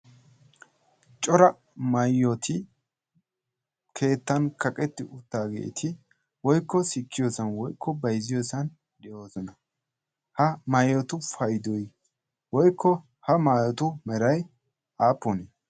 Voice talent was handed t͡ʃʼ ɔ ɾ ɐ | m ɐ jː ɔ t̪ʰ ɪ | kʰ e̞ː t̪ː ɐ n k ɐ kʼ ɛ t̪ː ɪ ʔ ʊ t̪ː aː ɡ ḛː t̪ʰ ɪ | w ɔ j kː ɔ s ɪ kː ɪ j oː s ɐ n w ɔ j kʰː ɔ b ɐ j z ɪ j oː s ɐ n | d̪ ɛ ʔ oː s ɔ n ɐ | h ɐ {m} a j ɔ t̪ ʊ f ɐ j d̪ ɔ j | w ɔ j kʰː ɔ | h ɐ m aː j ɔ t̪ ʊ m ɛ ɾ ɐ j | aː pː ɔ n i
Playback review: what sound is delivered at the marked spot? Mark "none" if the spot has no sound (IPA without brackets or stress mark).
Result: m